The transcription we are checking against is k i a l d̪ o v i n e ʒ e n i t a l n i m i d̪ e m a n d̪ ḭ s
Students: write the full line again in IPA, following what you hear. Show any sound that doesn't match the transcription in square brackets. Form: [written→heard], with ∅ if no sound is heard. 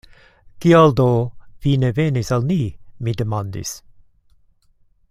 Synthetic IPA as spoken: k i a l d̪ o v i n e [ʒ→v] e n i [t→s] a l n i m i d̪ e m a n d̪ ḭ s